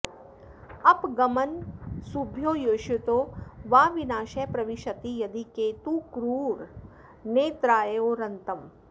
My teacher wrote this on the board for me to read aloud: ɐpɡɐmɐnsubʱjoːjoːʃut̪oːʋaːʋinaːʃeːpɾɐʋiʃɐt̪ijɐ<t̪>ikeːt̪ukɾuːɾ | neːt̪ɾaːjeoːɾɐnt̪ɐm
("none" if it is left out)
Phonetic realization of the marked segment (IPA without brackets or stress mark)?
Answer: d̪